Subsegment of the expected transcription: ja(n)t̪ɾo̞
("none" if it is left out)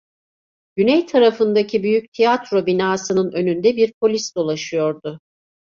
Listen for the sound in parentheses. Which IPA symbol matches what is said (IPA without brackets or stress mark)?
none